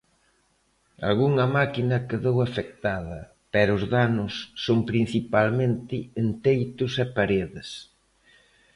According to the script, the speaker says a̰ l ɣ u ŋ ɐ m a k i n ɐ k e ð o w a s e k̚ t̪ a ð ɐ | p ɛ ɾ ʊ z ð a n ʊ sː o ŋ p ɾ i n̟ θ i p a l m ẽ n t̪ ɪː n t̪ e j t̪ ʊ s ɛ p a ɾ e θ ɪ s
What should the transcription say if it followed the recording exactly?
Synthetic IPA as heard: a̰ l ɣ u ŋ ɐ m a k i n ɐ k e ð o w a f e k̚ t̪ a ð ɐ | p ɛ ɾ ʊ z ð a n ʊ sː o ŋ p ɾ i n̟ θ i p a l m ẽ n t̪ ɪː n t̪ e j t̪ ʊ s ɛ p a ɾ e ð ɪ s